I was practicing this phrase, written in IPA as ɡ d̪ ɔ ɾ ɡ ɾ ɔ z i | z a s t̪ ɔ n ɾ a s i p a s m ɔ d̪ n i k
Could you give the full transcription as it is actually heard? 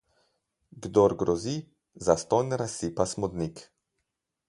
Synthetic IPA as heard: ɡ d̪ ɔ ɾ ɡ ɾ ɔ z i | z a s t̪ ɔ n ɾ a s i p a s m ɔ d̪ n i k